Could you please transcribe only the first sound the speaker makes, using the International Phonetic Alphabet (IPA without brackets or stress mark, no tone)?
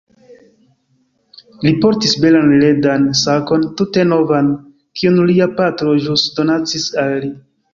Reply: l